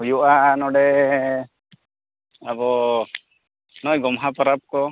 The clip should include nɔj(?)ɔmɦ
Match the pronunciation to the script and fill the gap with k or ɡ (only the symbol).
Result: ɡ